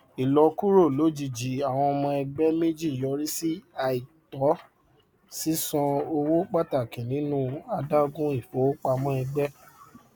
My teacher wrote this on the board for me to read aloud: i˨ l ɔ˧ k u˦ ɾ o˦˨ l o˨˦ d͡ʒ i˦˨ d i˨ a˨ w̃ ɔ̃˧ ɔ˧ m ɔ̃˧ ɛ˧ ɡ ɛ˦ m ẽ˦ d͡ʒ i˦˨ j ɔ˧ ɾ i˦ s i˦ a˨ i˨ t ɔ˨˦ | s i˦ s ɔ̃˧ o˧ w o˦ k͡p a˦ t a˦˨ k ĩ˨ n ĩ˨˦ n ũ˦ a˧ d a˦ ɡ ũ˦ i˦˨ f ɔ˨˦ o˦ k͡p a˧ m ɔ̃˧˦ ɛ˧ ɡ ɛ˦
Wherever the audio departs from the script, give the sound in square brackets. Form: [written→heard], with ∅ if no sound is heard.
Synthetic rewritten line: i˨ l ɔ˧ k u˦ ɾ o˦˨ l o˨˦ d͡ʒ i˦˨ [d→d͡ʒ] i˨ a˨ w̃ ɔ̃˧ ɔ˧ m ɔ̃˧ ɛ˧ [ɡ→ɡ͡b] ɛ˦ m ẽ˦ d͡ʒ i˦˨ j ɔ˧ ɾ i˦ s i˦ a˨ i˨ t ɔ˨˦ | s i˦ s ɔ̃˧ o˧ w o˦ k͡p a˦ t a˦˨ k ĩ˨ n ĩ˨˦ n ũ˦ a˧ d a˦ ɡ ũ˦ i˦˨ f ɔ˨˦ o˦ k͡p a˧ m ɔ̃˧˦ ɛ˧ [ɡ→ɡ͡b] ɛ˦